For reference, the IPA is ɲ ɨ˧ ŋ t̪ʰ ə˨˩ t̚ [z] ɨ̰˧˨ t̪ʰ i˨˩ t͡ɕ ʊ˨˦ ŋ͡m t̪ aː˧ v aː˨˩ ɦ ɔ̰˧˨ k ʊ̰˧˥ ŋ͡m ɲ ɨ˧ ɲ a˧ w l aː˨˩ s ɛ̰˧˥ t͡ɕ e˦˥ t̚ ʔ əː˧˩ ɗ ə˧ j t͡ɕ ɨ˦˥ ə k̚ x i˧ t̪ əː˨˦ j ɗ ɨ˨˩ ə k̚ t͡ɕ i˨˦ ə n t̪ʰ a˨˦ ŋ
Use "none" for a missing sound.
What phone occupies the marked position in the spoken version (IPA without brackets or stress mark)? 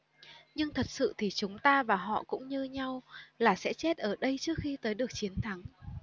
s